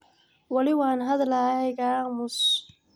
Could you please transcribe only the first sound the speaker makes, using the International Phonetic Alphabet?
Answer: w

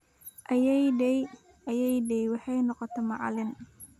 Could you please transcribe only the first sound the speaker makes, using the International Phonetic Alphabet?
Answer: ʔ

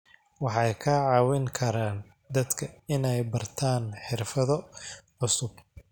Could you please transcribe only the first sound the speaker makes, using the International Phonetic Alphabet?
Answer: w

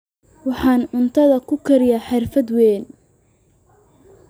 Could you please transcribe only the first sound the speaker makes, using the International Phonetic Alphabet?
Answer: w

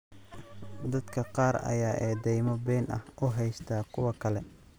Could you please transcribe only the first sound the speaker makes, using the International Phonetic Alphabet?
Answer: d̪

